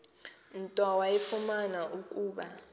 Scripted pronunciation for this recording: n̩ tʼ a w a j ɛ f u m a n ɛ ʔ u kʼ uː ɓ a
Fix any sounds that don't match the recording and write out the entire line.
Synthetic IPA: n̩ tʼ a w a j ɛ f u m a n a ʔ u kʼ uː ɓ a